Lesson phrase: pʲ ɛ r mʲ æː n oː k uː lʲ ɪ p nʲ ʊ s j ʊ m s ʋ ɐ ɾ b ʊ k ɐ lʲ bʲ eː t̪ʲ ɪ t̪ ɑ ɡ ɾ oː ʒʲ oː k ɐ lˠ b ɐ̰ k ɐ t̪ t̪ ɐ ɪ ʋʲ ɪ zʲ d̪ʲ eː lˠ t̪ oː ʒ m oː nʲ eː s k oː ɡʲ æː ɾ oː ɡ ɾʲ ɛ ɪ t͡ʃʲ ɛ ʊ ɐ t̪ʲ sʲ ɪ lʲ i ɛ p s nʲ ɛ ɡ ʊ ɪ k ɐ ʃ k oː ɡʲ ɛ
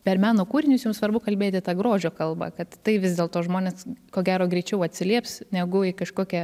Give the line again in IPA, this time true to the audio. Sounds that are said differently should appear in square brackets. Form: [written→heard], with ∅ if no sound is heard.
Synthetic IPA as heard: pʲ ɛ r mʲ æː n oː k uː [lʲ→ɾʲ] ɪ [p→∅] nʲ ʊ s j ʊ m s ʋ ɐ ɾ b ʊ k ɐ lʲ bʲ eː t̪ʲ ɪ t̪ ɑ ɡ ɾ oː ʒʲ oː k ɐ lˠ b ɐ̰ k ɐ t̪ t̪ ɐ ɪ ʋʲ ɪ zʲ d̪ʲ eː lˠ t̪ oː ʒ m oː nʲ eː s k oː ɡʲ æː ɾ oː ɡ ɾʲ ɛ ɪ t͡ʃʲ ɛ ʊ ɐ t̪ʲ sʲ ɪ lʲ i ɛ p s nʲ ɛ ɡ ʊ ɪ k ɐ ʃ k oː [ɡʲ→kʲ] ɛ